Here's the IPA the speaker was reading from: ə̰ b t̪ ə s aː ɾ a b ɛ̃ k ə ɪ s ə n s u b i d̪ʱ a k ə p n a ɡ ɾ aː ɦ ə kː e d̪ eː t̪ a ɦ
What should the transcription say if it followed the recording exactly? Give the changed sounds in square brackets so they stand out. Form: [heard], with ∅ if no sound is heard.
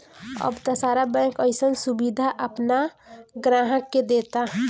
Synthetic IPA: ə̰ b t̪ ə s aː ɾ a b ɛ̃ k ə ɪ s ə n s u b i d̪ʱ a [ʔ] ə p n a ɡ ɾ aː ɦ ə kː e d̪ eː t̪ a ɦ